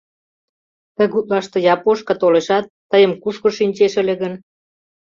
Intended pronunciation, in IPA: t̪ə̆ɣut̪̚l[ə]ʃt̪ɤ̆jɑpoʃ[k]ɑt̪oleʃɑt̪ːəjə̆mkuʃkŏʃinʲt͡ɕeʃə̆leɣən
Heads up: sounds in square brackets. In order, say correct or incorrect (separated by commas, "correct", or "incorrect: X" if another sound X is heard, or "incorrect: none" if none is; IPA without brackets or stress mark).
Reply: incorrect: ɑ, correct